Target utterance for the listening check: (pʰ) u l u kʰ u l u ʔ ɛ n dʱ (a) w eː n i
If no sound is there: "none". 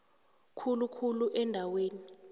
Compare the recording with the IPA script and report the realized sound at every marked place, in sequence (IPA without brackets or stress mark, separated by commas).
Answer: kʰ, a